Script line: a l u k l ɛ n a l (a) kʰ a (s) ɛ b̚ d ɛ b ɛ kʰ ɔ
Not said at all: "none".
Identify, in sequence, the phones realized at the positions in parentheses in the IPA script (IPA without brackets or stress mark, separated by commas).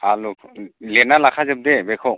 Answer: a, z